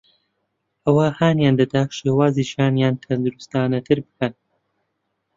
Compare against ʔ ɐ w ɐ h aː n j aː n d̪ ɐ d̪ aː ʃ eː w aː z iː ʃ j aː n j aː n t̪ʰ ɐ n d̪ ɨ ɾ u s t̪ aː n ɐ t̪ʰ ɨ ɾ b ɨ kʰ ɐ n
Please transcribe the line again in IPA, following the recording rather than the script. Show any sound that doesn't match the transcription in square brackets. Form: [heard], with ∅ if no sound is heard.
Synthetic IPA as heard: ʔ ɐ w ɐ h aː n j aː n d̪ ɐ d̪ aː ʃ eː w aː z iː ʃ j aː n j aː n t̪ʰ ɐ n d̪ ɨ ɾ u s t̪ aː n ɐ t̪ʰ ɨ ɾ b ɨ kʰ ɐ n